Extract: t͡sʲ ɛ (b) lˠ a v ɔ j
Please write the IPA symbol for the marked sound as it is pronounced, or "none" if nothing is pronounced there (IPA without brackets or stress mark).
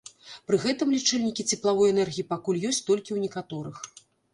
p